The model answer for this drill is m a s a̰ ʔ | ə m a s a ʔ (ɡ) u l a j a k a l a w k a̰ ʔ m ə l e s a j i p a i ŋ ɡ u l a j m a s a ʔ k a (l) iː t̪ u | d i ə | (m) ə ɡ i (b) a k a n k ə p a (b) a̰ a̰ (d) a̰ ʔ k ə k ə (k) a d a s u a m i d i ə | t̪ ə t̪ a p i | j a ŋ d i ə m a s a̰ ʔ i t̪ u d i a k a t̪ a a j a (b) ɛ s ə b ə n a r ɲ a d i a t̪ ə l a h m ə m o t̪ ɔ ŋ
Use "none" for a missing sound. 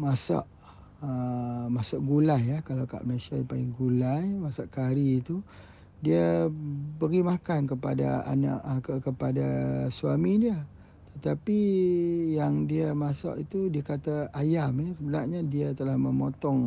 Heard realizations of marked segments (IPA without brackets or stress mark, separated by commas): ɡ, ɾ, b, m, d, n, p, m